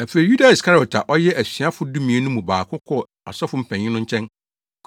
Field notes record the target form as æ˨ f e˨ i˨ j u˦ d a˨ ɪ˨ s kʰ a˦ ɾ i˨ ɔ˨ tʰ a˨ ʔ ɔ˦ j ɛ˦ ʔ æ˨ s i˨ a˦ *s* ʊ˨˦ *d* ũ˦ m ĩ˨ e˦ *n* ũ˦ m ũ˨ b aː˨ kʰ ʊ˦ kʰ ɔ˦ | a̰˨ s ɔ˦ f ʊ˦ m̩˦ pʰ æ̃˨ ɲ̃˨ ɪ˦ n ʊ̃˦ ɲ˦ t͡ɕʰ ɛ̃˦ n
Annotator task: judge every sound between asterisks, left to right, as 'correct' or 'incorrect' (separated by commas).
incorrect, correct, correct